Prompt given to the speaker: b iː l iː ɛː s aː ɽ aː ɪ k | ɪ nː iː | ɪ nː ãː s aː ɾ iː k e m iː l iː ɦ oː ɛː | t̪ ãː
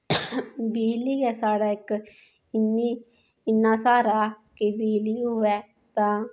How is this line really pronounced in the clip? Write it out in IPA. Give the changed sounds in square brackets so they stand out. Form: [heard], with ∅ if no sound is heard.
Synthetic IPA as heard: b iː l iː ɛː s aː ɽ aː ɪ k | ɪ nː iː | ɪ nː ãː s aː ɾ [aː] k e [b] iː l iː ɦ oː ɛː | t̪ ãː